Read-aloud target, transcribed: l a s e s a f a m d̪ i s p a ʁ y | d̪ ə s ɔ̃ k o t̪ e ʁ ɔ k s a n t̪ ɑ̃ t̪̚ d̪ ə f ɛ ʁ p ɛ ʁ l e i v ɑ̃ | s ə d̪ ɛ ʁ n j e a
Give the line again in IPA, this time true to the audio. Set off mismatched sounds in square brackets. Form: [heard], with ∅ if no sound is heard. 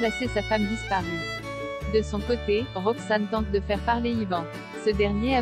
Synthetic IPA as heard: l a s e s a f a m d̪ i s p a ʁ y | d̪ ə s ɔ̃ k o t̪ e ʁ ɔ k s a n t̪ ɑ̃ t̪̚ d̪ ə f ɛ ʁ p [a] ʁ l e i v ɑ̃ | s ə d̪ ɛ ʁ n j e a

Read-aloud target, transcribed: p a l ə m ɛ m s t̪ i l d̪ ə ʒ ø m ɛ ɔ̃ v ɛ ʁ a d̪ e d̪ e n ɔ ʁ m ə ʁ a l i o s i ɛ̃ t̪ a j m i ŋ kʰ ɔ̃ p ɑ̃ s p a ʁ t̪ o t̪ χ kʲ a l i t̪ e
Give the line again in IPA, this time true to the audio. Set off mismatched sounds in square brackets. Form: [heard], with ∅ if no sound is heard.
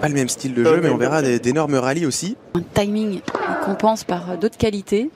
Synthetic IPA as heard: p a l ə m ɛ m s t̪ i l d̪ ə ʒ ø m ɛ ɔ̃ v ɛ ʁ a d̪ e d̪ e n ɔ ʁ m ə ʁ a l i o s i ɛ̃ t̪ a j m i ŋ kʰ ɔ̃ p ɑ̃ s p a ʁ [d̪] o t̪ χ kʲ a l i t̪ e

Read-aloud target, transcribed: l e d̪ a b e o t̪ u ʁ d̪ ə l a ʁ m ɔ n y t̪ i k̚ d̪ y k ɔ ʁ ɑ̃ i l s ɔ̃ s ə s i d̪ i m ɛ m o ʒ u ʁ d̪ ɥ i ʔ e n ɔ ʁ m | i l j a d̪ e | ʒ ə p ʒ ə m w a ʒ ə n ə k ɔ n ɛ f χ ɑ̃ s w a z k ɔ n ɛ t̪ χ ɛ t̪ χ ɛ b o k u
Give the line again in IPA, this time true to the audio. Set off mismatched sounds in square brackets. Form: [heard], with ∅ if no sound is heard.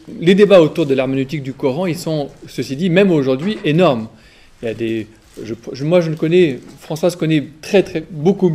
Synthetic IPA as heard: l e d̪ [e] b [a] o t̪ u ʁ d̪ ə l a ʁ m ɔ n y t̪ i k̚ d̪ y k ɔ ʁ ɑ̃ i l s ɔ̃ s ə s i d̪ i m ɛ m o ʒ u ʁ d̪ ɥ i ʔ e n ɔ ʁ m | i l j a d̪ e | ʒ ə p ʒ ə m w a ʒ ə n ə k ɔ n ɛ f χ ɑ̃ s w a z k ɔ n ɛ t̪ χ ɛ t̪ χ ɛ b o k u

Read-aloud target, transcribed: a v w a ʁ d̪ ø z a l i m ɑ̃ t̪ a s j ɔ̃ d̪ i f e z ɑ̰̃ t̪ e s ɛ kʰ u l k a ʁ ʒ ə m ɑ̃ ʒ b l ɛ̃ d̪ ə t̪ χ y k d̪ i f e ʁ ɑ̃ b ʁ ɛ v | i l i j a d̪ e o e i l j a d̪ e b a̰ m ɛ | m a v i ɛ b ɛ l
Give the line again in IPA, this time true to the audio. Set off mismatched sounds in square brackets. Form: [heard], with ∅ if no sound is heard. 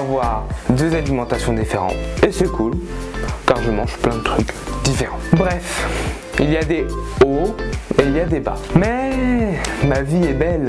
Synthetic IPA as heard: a v w a ʁ d̪ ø z a l i m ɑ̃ t̪ a s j ɔ̃ d̪ i f e [ʁ] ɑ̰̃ t̪ e s ɛ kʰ u l k a ʁ ʒ ə m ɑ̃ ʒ [p] l ɛ̃ d̪ ə t̪ χ y k d̪ i f e ʁ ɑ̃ b ʁ ɛ [f] | i l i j a d̪ e o e i l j a d̪ e b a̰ m ɛ | m a v i ɛ b ɛ l

